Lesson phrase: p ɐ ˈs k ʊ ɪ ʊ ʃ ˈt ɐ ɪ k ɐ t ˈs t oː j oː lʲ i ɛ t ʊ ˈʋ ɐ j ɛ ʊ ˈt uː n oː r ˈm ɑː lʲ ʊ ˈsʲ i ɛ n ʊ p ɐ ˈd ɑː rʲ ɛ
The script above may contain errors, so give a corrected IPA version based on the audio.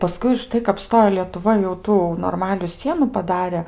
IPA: p ɐ ˈs k ʊ ɪ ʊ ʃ ˈt ɐ ɪ k ɐ p ˈs t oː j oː lʲ i ɛ t ʊ ˈʋ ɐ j ɛ ʊ ˈt uː n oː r ˈm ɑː lʲ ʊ ˈsʲ i ɛ n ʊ p ɐ ˈd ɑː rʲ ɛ